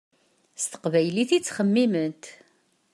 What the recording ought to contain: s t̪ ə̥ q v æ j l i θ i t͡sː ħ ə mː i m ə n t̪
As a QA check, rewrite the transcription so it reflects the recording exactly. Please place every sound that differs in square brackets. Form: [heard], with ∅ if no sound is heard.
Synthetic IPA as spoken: s t̪ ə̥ q v æ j l i θ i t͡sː [χ] ə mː i m ə n t̪